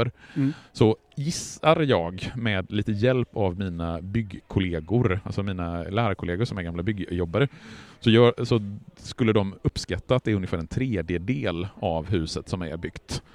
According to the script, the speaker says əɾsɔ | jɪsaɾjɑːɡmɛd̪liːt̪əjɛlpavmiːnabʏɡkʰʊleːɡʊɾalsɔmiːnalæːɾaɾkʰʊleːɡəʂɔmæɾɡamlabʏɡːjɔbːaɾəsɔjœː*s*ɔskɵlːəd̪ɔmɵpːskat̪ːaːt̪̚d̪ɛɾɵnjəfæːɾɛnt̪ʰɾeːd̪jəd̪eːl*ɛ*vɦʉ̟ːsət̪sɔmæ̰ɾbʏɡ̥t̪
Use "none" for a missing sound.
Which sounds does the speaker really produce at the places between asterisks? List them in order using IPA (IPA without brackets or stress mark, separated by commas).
s, a